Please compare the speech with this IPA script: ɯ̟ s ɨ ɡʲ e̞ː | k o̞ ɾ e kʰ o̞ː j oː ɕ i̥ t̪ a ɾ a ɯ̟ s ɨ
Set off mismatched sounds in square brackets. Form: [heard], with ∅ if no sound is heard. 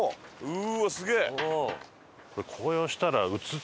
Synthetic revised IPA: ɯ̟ s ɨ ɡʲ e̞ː | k o̞ ɾ e kʰ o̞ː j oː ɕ i̥ t̪ a ɾ a ɯ̟ [t͡s] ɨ